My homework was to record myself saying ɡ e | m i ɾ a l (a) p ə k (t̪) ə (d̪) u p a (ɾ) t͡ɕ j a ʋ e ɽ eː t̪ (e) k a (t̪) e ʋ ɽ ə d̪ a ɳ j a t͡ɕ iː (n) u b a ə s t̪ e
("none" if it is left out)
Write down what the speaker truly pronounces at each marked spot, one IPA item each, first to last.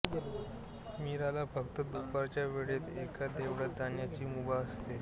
a, t̪, d̪, ɾ, e, d̪, m

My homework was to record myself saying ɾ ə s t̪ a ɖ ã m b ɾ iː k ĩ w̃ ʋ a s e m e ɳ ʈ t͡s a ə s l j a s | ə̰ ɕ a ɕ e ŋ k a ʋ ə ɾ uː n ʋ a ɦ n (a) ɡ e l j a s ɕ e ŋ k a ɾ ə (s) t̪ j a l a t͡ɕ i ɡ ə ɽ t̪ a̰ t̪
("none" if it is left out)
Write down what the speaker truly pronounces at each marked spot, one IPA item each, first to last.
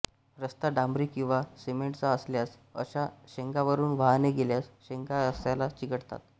e, s

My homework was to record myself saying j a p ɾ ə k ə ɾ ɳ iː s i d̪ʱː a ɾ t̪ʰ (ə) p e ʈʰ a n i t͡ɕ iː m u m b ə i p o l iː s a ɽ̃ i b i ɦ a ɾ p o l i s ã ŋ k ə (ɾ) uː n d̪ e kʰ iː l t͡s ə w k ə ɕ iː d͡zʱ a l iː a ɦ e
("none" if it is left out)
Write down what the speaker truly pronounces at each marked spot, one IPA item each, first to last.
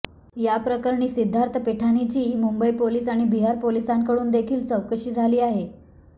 ə, ɽ

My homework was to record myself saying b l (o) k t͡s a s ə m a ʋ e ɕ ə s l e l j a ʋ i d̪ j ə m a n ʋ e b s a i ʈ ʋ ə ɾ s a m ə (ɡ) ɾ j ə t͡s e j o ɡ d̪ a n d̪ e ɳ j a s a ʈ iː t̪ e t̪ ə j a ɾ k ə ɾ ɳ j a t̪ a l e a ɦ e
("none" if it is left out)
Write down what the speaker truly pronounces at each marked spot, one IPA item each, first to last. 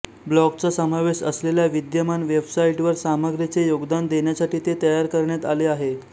ɔ, ɡ

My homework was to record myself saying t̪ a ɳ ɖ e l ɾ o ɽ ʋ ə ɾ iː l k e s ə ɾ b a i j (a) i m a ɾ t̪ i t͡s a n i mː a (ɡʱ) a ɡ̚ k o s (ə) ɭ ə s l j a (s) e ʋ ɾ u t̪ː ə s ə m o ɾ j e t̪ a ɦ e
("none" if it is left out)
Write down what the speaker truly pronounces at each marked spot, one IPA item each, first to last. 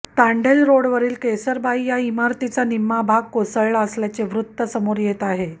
a, bʱ, ə, t͡s

